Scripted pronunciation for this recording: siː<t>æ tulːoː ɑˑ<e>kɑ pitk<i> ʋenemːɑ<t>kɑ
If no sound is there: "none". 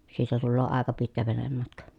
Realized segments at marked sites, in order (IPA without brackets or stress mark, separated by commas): t, e, æ, t